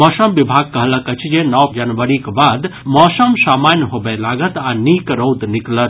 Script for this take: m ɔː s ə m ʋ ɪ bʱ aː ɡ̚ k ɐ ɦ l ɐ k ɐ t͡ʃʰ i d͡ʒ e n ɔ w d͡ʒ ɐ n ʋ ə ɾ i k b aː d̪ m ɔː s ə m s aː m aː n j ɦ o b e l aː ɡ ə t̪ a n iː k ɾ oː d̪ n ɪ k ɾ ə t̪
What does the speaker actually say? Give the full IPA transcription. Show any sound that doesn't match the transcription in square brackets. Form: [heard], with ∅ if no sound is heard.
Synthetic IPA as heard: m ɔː s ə m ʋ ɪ bʱ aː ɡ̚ k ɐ ɦ l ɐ k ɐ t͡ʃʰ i d͡ʒ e n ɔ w d͡ʒ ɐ n ʋ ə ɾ i k b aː d̪ m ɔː s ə m s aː m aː n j ɦ o b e l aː ɡ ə t̪ a n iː k ɾ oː d̪ n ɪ k [l] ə t̪